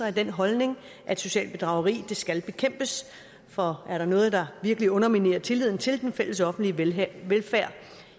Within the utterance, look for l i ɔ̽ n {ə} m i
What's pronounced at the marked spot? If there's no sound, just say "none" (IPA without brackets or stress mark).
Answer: ɐ